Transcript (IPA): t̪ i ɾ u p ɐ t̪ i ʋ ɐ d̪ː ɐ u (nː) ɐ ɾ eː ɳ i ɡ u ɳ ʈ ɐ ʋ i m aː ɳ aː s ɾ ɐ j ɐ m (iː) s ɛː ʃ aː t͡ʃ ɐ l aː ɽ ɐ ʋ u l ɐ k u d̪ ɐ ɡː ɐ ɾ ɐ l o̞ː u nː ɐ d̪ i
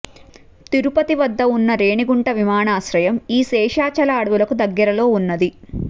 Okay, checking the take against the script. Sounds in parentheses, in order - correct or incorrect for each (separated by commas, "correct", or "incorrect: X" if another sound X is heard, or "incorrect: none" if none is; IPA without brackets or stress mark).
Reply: correct, correct